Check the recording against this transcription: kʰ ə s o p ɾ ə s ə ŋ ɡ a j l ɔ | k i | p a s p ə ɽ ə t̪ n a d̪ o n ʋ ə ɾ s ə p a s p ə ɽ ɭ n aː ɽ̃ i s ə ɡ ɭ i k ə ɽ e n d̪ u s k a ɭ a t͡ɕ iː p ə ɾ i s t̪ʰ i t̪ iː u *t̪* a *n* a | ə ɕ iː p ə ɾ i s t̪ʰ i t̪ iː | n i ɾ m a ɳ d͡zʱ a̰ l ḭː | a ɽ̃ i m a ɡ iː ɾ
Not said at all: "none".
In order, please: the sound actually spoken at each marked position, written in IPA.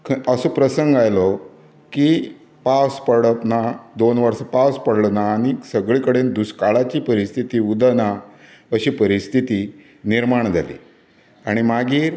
d̪, n

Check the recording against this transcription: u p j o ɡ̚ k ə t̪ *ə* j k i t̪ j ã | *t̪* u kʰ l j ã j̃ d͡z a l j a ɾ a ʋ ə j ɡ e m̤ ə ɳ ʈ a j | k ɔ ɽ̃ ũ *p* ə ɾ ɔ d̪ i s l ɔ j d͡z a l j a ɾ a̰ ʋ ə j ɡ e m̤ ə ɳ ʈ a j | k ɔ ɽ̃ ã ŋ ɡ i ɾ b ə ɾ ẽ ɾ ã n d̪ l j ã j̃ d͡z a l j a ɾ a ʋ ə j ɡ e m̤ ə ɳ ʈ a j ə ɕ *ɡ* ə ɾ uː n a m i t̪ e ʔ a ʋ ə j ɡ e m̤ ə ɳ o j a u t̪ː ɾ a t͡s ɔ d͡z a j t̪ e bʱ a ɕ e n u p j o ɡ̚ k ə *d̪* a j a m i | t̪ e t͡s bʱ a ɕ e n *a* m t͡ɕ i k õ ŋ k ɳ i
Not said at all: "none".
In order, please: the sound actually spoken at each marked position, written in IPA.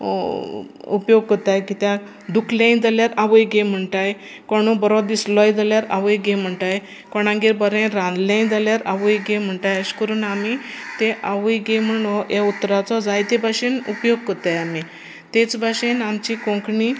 a, d̪, b, k, t̪, a

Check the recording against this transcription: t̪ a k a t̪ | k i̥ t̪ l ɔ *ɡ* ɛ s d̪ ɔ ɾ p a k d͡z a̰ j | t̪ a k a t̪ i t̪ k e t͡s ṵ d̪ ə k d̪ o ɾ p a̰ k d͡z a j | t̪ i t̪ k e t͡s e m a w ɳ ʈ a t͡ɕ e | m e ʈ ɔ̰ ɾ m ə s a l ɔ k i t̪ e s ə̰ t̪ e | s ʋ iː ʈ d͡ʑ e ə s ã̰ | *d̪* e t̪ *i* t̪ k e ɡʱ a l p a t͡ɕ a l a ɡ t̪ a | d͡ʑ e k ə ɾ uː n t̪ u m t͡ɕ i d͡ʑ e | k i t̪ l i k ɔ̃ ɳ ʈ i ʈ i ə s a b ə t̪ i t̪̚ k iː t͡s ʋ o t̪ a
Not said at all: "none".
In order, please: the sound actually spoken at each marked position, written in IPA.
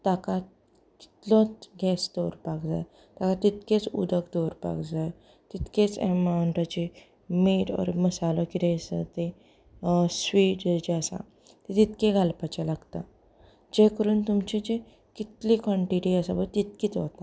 ɡ, t̪, i

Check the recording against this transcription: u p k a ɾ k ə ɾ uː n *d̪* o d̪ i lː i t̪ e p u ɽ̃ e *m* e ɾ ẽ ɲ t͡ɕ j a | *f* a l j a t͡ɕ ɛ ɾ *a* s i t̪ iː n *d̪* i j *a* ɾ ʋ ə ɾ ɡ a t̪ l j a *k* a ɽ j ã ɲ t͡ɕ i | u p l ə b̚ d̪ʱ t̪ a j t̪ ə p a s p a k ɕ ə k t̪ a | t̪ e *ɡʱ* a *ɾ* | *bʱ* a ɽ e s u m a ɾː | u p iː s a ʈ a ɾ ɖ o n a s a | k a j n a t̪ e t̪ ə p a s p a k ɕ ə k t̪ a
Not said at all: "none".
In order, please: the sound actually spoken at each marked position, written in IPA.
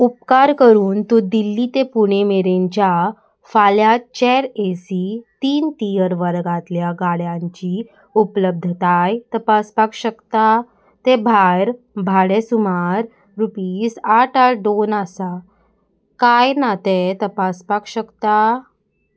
t̪, m, f, e, t̪, ə, ɡ, bʱ, ɾ, bʱ

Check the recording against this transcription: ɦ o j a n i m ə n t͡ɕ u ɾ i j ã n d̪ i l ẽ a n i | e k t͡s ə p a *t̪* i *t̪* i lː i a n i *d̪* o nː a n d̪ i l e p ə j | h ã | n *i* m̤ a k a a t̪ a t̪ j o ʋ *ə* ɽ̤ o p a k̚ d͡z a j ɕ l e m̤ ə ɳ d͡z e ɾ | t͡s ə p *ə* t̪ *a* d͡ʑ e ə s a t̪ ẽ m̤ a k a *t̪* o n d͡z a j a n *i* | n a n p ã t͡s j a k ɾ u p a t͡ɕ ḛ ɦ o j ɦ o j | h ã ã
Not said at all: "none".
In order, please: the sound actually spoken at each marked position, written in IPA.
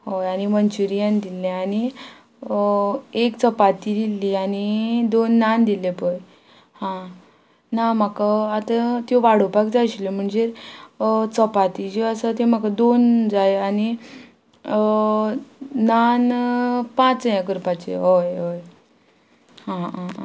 t̪, d̪, d̪, a, a, a, i, d̪, i

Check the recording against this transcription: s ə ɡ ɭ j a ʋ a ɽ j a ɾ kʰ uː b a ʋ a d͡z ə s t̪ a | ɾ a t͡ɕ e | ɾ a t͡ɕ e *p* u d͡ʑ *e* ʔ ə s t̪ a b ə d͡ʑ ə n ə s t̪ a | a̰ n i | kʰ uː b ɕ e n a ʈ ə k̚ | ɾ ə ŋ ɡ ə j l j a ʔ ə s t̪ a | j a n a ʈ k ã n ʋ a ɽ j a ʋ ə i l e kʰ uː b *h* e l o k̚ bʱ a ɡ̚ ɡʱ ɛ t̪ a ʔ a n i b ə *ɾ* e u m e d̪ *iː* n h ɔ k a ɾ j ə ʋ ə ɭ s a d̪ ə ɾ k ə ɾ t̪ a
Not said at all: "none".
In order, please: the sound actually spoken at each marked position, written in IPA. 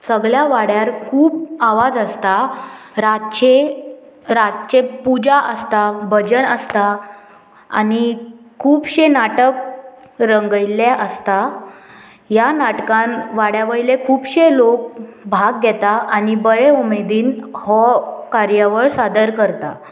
p, a, ɕ, ɭ, iː

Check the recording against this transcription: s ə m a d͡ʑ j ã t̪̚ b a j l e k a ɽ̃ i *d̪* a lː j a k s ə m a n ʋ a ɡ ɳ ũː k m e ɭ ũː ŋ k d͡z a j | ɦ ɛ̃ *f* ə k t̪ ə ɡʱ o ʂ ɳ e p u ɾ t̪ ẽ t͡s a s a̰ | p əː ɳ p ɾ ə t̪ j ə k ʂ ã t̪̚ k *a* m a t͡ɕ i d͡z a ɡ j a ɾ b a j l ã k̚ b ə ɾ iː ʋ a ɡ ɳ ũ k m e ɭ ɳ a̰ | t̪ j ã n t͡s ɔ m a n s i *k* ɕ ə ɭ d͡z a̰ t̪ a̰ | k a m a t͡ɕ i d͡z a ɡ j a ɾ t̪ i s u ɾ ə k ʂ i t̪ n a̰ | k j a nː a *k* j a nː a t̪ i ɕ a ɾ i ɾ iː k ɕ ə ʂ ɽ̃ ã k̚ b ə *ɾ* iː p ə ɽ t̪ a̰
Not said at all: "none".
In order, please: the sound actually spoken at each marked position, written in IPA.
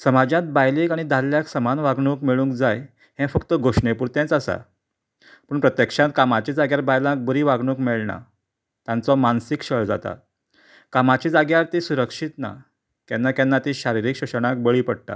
d̪, f, a, k, k, ɭ

